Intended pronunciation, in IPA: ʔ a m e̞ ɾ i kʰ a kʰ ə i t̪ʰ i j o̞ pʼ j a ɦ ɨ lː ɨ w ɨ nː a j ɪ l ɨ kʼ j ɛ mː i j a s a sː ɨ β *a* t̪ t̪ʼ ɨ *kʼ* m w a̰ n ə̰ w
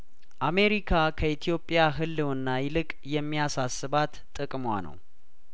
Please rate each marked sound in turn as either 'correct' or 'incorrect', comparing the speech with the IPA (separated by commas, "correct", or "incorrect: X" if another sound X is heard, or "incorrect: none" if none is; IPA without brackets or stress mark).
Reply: correct, correct